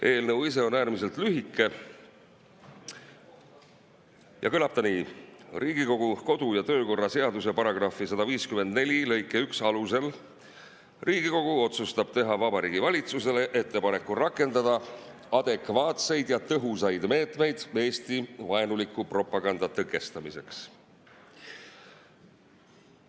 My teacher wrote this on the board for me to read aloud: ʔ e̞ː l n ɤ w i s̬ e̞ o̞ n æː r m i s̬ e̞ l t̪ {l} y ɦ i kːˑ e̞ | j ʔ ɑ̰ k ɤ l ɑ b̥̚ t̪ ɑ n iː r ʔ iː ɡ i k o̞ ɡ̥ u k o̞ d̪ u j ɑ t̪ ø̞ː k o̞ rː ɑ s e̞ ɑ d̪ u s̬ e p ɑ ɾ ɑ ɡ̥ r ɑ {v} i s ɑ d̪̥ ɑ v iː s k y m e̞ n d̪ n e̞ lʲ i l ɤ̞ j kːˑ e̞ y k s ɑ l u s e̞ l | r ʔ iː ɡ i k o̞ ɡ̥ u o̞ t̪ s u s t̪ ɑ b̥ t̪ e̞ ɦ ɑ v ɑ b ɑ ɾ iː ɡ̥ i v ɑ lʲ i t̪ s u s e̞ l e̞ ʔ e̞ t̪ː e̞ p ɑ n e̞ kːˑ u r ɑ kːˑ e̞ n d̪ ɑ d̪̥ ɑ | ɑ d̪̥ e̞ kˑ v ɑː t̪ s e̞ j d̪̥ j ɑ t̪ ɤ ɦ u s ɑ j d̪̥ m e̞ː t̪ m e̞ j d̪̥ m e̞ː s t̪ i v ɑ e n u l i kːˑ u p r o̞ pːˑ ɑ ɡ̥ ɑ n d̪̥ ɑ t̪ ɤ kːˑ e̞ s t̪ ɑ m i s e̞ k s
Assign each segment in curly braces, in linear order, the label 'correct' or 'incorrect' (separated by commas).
correct, incorrect